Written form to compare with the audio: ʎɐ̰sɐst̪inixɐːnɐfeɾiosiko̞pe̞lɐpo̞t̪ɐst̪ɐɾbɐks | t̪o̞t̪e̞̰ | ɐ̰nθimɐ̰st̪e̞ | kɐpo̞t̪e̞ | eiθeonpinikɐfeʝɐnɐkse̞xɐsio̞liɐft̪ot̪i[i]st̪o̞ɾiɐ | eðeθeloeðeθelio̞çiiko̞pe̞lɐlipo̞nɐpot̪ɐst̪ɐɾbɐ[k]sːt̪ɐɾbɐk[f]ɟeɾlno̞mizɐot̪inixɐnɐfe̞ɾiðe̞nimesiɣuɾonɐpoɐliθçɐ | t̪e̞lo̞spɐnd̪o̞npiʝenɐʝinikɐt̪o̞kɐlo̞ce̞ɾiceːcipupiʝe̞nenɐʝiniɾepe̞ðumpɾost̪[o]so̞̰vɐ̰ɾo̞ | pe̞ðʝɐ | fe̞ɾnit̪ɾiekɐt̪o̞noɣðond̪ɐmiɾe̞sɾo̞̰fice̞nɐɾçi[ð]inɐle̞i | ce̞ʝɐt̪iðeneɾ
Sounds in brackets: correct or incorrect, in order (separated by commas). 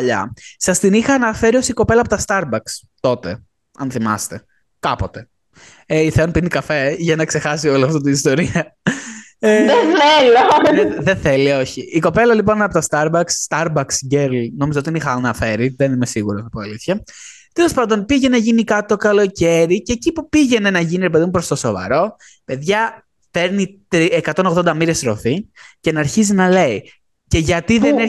correct, correct, incorrect, correct, incorrect